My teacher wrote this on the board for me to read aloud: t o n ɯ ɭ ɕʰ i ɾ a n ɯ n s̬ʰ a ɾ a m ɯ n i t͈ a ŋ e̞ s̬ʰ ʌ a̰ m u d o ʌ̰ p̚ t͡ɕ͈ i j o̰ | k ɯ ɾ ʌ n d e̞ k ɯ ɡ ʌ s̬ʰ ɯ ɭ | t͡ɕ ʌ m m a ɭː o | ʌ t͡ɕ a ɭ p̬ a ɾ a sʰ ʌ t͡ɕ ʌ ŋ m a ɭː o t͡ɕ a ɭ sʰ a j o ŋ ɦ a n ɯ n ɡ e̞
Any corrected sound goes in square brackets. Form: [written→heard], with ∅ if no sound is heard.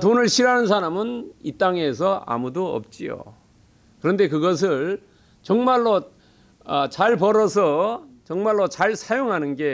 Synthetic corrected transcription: t o n ɯ ɭ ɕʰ i ɾ a n ɯ n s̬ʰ a ɾ a m ɯ n i t͈ a ŋ e̞ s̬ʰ ʌ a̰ m u d o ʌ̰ p̚ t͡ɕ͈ i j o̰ | k ɯ ɾ ʌ n d e̞ k ɯ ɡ ʌ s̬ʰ ɯ ɭ | t͡ɕ ʌ [m→ŋ] m a ɭː o | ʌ t͡ɕ a ɭ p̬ [a→ʌ] ɾ [a→ʌ] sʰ ʌ t͡ɕ ʌ ŋ m a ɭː o t͡ɕ a ɭ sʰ a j o ŋ ɦ a n ɯ n ɡ e̞